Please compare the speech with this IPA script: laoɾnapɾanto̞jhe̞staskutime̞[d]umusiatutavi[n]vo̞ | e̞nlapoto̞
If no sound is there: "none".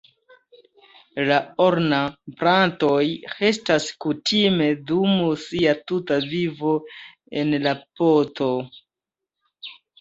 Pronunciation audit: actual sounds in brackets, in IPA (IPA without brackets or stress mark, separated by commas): d, none